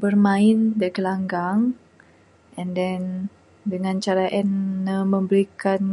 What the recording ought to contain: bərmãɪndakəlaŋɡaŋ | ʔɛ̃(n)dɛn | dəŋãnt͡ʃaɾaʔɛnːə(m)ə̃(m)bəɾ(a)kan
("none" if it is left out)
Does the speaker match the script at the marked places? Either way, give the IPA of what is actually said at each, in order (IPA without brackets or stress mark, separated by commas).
n, m, m, i